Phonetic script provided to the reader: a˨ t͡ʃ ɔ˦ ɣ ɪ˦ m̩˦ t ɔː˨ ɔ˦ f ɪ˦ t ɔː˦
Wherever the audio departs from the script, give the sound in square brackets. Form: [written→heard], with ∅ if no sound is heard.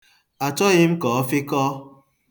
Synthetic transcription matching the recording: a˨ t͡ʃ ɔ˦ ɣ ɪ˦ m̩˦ [t→k] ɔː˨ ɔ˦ f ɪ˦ [t→k] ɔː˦